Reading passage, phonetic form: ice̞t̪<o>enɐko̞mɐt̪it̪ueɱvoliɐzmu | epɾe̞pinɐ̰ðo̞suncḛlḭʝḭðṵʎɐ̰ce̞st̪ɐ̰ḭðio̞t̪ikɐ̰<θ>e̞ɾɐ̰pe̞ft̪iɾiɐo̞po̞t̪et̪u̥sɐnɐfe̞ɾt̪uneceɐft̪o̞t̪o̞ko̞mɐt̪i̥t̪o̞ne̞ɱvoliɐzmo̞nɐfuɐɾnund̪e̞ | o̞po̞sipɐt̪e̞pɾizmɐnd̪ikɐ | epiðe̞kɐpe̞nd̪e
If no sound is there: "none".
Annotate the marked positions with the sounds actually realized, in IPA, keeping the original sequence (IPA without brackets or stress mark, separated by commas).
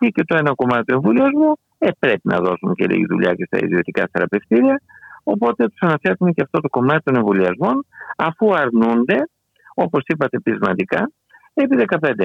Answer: o, θ